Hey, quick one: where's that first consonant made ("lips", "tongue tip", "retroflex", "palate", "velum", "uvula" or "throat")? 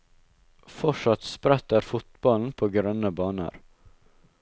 lips